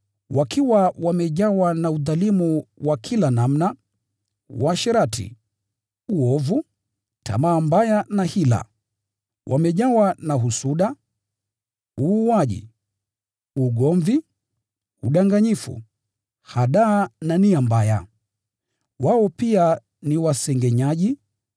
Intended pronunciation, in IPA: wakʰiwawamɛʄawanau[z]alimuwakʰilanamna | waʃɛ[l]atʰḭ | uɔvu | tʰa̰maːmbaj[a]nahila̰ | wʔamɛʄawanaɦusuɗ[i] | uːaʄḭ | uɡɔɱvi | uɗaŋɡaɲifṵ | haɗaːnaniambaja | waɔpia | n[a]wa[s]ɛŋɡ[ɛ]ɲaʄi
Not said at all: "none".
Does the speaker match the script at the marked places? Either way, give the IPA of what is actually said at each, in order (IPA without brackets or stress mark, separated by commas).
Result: ð, ɾ, a, a, i, s, ɛ